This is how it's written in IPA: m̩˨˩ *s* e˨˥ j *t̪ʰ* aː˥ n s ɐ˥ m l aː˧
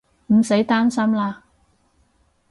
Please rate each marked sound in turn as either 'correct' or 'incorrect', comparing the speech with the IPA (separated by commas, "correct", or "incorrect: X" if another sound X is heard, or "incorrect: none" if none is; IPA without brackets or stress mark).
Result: correct, incorrect: t̪